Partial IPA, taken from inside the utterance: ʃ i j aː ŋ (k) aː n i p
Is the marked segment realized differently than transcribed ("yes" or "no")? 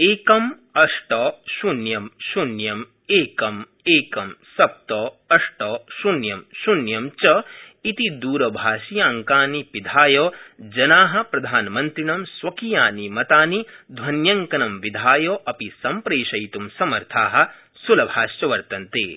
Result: no